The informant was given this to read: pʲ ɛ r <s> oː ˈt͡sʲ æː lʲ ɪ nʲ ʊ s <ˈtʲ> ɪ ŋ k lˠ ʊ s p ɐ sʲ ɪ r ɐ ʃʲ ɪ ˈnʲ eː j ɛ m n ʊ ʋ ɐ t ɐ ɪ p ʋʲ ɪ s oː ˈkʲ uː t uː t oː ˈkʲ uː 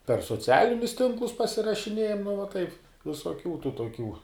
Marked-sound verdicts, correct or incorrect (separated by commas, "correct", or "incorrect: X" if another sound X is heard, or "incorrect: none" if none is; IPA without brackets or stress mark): correct, correct